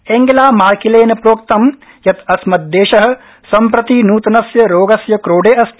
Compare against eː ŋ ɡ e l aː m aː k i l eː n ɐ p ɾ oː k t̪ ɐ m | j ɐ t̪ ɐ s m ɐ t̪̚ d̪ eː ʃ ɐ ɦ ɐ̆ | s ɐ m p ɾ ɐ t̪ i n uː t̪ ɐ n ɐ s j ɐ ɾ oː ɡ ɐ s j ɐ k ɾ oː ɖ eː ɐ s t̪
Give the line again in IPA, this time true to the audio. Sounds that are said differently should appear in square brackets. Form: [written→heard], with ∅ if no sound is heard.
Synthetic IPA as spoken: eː ŋ ɡ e l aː m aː k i l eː n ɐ p ɾ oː k t̪ ɐ m | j ɐ t̪ ɐ s m ɐ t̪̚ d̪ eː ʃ ɐ ɦ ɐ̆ | s ɐ m p ɾ ɐ t̪ i n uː t̪ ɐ n ɐ s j ɐ ɾ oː ɡ ɐ s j ɐ k ɾ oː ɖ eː ɐ s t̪